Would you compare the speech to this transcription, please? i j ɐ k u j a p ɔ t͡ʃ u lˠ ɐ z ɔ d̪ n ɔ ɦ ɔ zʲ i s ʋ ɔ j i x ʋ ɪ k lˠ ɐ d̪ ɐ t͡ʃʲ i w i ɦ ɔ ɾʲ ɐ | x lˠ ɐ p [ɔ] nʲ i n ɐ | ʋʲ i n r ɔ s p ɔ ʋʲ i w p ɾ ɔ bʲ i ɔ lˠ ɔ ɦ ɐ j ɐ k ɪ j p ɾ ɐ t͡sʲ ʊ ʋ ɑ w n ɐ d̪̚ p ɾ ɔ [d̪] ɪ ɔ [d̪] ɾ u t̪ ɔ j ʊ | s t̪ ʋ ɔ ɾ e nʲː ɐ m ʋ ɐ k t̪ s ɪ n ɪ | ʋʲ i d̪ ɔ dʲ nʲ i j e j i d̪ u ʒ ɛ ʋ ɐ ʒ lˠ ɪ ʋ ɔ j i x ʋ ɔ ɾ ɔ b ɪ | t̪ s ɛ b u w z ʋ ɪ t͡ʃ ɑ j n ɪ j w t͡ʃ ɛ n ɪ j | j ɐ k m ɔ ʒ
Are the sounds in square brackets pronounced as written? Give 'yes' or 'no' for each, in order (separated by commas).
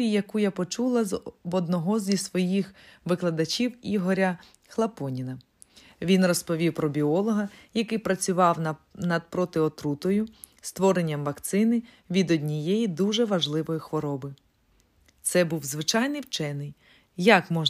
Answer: yes, no, no